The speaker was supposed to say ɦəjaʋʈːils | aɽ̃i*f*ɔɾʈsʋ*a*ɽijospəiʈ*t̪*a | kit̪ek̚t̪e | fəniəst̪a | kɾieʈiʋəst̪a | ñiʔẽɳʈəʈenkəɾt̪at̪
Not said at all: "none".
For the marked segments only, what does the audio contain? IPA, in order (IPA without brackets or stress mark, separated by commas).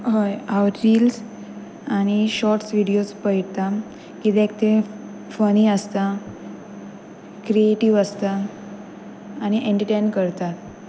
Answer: ɕ, i, t̪